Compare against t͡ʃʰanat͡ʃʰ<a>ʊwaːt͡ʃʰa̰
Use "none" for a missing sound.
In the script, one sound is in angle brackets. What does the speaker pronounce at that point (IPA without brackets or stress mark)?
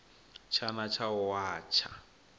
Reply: a